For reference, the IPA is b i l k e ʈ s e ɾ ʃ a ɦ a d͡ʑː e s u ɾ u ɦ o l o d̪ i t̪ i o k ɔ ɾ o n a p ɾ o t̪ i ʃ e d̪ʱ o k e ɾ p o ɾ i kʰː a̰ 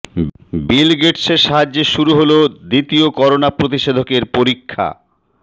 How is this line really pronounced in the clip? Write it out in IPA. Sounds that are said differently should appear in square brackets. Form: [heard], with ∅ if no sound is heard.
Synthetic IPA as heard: b i l [ɡ] e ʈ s e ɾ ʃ a ɦ a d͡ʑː e [ʃ] u ɾ u ɦ o l o d̪ i t̪ i o k ɔ ɾ o n a p ɾ o t̪ i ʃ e d̪ʱ o k e ɾ p o ɾ i kʰː a̰